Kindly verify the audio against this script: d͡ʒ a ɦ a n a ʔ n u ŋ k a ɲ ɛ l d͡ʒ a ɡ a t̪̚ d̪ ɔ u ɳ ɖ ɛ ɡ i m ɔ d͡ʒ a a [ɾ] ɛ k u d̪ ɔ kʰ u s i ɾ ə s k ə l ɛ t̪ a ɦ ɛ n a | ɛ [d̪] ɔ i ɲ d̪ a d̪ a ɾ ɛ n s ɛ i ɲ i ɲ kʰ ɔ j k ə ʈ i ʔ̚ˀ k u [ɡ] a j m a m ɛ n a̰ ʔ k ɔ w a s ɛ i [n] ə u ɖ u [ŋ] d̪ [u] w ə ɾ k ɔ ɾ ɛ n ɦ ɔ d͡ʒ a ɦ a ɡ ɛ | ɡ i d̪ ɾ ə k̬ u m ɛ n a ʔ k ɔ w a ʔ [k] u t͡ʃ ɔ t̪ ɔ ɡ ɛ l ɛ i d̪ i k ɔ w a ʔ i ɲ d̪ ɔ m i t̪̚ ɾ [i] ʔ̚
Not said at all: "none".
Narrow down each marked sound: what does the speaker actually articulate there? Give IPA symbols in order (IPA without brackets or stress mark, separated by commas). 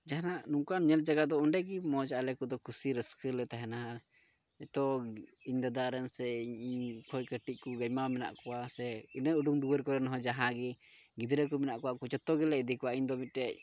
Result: l, t̪, ɡ, n, ŋ, u, k, ɛ